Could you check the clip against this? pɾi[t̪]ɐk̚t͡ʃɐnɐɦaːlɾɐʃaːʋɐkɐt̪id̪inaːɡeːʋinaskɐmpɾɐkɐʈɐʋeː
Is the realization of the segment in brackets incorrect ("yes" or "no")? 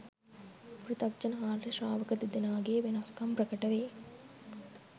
no